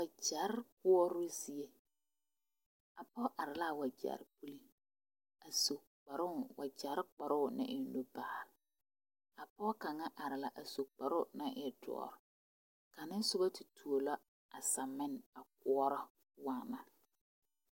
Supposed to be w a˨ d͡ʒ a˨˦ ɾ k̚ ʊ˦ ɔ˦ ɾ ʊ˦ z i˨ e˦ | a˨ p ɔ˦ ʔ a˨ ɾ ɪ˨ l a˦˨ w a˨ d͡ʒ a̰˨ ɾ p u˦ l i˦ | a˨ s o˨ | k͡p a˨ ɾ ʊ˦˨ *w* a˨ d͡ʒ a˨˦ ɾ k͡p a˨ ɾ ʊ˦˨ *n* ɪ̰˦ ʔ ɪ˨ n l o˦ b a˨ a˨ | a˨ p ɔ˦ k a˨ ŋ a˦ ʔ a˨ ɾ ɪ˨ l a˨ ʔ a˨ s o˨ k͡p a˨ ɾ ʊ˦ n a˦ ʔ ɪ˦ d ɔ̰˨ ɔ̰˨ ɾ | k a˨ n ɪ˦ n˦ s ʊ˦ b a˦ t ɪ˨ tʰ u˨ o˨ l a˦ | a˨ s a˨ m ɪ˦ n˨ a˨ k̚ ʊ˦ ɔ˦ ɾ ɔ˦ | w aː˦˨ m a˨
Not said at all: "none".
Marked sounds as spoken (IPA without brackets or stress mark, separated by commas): w, n